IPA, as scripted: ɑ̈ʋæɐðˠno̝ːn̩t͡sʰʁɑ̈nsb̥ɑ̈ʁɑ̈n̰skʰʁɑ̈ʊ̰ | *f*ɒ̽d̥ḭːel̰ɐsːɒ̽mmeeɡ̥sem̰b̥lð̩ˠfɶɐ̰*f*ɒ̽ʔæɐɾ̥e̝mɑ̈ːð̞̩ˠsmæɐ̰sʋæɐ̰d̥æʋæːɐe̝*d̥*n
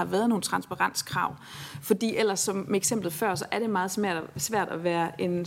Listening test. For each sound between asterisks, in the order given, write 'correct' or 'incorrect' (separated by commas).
correct, incorrect, incorrect